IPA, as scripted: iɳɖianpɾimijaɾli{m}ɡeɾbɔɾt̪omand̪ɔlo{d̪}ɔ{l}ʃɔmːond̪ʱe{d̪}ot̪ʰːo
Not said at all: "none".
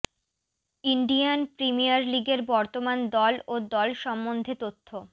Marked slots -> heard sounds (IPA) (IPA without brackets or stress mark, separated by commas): none, d̪, l, t̪